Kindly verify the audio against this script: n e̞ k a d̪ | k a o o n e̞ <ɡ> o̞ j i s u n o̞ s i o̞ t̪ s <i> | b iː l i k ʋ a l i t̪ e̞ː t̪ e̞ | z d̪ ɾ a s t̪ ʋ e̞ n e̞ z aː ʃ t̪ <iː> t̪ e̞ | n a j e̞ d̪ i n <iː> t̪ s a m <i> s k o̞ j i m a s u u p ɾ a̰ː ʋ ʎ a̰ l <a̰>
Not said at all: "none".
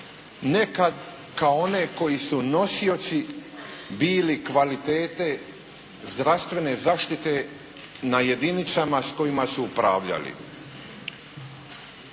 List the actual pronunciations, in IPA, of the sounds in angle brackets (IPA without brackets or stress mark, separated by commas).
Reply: k, i, i, i, a, ḭ